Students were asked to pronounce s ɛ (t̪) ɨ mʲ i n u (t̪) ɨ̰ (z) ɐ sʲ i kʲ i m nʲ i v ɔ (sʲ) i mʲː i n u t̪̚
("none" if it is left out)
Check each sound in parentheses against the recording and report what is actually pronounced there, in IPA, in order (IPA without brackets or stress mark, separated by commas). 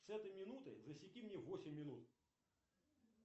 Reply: t̪, t̪, z, sʲ